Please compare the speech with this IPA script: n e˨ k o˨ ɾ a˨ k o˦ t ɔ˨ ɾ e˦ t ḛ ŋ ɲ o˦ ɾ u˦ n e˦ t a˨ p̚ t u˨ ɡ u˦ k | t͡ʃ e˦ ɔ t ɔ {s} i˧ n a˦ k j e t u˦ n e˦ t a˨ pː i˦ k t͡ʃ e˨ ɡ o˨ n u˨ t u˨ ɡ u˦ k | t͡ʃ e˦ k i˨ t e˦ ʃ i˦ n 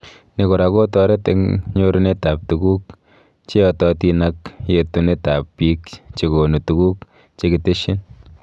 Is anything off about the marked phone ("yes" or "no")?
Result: yes